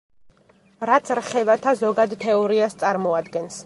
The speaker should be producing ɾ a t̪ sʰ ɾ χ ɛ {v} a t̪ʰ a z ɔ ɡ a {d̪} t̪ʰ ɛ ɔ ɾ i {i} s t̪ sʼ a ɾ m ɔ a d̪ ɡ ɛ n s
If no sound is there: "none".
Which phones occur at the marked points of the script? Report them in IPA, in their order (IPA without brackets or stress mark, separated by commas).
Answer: v, d̪, a